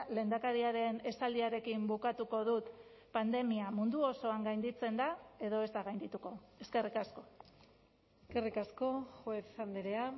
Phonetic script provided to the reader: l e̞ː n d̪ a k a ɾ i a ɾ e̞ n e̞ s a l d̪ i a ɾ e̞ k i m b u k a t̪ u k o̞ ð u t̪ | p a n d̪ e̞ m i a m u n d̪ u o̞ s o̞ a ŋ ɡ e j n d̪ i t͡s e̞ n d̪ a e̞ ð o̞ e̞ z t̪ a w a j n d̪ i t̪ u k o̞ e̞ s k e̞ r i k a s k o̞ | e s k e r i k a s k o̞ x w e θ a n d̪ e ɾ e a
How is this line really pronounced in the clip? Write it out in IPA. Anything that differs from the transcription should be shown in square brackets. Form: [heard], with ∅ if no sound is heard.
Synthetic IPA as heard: l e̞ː n d̪ a k a ɾ i a ɾ e̞ n e̞ s a l d̪ i a ɾ e̞ k i m b u k a t̪ u k o̞ ð u t̪ | p a n d̪ e̞ m i a m u n d̪ u o̞ s o̞ a ŋ ɡ [a] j n d̪ i t͡s e̞ n d̪ a e̞ ð o̞ e̞ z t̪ a [ɣ] a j n d̪ i t̪ u k o̞ e̞ s k e̞ r i k a s k o̞ | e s k e r i k a s k o̞ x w e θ a n d̪ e ɾ e a